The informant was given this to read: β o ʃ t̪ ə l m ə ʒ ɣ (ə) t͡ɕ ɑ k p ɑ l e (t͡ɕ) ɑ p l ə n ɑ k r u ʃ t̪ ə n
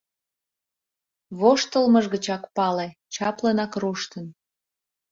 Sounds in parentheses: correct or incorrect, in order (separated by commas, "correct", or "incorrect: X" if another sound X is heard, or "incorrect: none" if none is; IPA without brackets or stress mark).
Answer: correct, correct